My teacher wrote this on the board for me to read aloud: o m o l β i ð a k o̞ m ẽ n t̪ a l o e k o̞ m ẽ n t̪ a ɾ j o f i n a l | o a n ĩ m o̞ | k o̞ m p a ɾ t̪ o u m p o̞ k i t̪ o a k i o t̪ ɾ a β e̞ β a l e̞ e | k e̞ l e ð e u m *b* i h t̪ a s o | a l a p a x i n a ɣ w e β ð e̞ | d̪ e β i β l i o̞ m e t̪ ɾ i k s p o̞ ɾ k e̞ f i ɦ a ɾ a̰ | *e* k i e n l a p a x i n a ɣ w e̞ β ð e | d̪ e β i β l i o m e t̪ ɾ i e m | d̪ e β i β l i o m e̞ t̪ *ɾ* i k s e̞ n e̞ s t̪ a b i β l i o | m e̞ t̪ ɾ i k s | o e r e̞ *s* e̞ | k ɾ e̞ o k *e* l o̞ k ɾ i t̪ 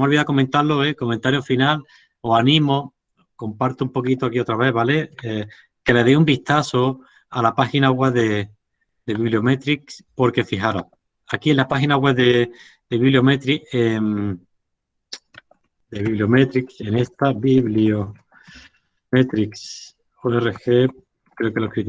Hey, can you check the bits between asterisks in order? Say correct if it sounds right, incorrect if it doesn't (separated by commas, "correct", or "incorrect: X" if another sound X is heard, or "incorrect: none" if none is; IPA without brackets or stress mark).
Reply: correct, incorrect: a, correct, incorrect: x, correct